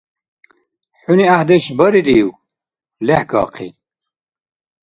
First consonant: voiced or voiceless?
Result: voiceless